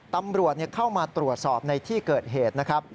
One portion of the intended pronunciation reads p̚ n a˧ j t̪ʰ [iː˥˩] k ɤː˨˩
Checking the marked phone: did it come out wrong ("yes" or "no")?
no